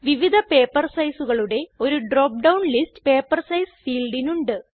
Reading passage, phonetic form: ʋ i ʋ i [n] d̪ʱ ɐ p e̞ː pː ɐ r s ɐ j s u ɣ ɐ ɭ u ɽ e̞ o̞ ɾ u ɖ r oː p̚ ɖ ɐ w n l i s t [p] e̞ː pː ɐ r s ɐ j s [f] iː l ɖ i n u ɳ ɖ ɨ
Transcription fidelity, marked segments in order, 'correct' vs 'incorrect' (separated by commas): incorrect, correct, correct